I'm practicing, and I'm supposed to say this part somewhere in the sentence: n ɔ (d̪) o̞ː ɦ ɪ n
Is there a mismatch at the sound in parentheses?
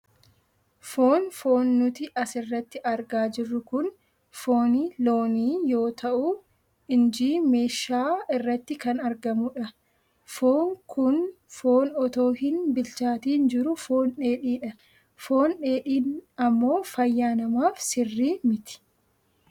yes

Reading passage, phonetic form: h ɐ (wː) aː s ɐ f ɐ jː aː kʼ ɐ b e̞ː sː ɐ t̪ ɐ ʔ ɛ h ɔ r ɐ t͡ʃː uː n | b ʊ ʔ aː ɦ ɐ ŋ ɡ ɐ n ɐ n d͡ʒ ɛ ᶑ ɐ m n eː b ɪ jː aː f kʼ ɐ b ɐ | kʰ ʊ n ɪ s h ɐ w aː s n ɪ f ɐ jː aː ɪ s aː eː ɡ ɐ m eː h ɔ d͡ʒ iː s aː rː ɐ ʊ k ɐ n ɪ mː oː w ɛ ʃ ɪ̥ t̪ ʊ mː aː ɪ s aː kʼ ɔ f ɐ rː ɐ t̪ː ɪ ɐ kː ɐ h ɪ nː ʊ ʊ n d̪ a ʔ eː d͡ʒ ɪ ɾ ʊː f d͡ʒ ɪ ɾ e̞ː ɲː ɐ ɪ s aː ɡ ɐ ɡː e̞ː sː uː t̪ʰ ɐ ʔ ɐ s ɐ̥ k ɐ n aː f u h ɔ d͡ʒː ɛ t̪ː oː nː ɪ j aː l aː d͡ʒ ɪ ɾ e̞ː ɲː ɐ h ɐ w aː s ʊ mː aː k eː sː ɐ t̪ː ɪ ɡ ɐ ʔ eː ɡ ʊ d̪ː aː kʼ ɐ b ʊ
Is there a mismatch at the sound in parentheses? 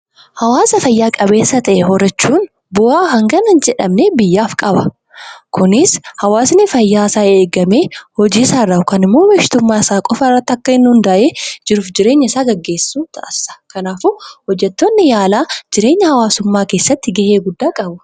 yes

